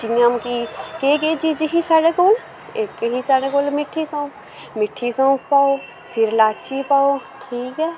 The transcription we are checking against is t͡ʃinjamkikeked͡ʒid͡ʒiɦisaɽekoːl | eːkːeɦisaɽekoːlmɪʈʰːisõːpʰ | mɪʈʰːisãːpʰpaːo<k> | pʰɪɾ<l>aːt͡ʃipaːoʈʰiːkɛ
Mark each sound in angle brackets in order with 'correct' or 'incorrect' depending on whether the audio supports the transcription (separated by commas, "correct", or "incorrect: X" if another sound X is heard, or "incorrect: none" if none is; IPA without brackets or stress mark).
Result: incorrect: none, correct